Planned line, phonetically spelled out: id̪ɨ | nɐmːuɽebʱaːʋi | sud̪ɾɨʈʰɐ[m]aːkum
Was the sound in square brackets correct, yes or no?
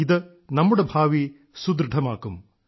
yes